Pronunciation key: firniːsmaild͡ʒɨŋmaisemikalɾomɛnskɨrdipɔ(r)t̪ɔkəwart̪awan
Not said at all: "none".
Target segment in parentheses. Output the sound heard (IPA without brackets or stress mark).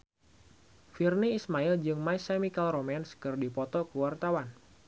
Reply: none